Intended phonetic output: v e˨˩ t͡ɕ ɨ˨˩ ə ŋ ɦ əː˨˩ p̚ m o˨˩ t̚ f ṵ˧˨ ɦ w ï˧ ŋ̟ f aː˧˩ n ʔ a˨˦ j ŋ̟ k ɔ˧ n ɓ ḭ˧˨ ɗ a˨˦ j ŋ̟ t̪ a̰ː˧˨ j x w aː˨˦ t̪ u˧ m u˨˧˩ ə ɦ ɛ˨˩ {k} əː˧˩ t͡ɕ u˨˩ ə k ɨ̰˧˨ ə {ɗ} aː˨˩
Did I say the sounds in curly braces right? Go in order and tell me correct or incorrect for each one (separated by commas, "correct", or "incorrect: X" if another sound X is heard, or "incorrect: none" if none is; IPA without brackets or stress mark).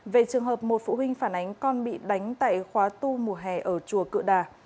incorrect: ʔ, correct